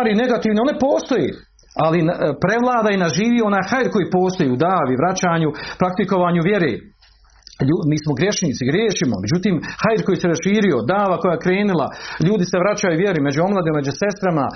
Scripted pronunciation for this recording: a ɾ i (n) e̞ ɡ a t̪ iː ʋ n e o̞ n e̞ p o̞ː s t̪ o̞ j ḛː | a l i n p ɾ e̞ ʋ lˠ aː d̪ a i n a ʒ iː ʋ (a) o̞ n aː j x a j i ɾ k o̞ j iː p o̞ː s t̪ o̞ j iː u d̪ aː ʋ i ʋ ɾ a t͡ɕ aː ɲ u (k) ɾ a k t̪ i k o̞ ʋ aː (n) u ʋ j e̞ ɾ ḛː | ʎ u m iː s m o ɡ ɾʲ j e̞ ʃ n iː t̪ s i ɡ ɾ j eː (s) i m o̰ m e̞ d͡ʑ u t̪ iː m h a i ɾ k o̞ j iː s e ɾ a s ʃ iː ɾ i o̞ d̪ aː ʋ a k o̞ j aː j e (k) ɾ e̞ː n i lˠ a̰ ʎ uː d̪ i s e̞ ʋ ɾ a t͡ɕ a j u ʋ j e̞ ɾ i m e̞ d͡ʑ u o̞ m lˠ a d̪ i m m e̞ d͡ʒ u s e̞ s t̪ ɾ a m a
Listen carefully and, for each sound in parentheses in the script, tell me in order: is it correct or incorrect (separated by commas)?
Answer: correct, incorrect, incorrect, incorrect, incorrect, correct